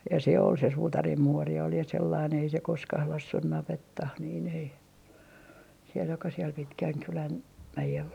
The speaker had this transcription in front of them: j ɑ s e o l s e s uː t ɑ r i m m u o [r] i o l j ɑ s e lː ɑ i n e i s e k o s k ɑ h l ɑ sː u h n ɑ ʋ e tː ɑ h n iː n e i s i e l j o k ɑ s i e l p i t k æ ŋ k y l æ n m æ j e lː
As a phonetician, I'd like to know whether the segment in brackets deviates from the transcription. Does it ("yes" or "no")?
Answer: no